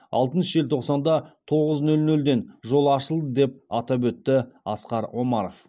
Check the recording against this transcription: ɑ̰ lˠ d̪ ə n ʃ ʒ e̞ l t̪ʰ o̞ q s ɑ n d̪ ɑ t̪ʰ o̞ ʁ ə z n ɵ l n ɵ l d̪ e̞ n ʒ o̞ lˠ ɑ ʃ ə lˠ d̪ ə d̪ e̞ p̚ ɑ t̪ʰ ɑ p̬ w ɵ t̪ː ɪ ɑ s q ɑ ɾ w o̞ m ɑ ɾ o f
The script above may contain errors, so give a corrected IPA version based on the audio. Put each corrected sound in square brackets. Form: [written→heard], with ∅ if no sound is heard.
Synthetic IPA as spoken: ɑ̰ lˠ [d̪→t̪] ə n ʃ ʒ e̞ l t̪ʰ o̞ q s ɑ n d̪ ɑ t̪ʰ o̞ ʁ ə z n ɵ l n ɵ l d̪ e̞ n ʒ o̞ lˠ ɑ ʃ ə lˠ d̪ ə d̪ e̞ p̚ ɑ [t̪ʰ→t̪] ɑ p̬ w ɵ t̪ː ɪ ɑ s q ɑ ɾ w o̞ m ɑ ɾ o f